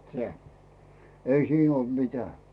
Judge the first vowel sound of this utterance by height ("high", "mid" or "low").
mid